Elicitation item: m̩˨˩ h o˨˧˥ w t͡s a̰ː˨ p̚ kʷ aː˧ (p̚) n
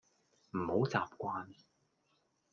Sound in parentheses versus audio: incorrect: none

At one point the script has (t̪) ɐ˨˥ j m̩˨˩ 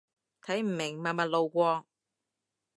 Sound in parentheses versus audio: incorrect: t̪ʰ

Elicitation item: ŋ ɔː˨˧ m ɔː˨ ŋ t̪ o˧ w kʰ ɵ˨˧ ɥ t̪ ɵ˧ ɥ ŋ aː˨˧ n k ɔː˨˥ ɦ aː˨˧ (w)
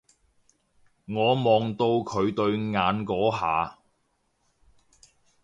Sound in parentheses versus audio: incorrect: none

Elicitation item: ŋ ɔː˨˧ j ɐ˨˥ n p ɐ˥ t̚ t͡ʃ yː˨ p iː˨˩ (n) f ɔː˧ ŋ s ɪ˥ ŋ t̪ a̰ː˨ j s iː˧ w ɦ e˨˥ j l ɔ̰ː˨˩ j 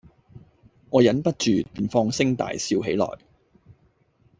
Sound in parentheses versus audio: correct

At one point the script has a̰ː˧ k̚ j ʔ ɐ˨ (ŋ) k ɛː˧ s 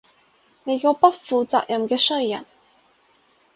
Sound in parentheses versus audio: incorrect: m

